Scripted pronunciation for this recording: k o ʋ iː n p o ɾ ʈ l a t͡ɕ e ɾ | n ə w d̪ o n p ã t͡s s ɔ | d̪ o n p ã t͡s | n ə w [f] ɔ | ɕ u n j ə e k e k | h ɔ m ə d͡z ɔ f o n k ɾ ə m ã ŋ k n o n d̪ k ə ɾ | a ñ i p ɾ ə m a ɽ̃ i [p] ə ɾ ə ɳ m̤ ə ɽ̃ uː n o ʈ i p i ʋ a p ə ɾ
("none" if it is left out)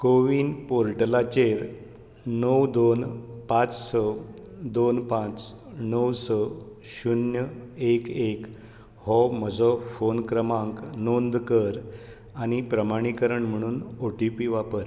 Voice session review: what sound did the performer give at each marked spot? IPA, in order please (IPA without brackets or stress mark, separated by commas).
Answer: s, k